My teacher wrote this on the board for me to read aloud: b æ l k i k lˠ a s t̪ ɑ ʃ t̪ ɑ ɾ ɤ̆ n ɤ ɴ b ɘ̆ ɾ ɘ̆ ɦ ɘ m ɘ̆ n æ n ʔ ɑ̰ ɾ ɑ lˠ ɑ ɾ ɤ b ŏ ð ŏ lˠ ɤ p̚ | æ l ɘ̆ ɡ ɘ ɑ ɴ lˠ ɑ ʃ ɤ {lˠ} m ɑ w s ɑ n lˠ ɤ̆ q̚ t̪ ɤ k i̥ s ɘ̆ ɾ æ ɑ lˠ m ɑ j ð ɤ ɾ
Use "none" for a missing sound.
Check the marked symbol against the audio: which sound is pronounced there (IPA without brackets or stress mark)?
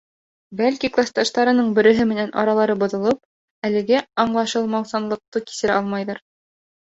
lˠ